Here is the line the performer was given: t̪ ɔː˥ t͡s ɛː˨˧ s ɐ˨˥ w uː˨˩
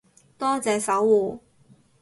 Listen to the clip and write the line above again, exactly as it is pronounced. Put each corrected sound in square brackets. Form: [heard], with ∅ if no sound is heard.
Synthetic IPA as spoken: t̪ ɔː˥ t͡s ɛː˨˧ s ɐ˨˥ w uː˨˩